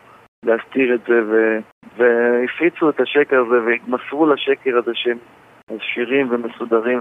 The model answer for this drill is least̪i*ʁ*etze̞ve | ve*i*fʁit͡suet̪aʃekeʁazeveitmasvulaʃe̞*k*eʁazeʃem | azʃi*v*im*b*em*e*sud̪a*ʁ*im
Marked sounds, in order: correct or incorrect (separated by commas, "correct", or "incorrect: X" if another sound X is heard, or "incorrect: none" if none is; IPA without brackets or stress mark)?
correct, correct, correct, incorrect: ʁ, incorrect: v, correct, correct